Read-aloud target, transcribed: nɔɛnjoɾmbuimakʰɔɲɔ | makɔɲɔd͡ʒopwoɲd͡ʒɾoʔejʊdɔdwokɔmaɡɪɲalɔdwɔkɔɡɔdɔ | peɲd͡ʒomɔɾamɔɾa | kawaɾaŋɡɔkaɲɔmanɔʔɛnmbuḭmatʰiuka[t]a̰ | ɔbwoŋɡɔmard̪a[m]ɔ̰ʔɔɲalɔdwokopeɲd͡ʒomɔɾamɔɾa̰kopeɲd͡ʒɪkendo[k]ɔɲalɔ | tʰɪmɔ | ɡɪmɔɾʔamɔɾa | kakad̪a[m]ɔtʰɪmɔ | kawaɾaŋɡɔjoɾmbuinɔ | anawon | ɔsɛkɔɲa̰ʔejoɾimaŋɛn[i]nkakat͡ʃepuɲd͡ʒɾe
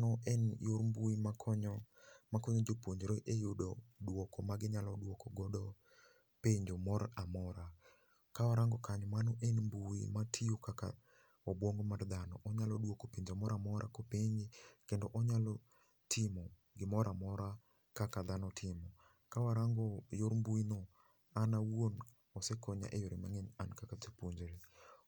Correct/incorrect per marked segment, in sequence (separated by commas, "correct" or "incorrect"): incorrect, incorrect, incorrect, incorrect, incorrect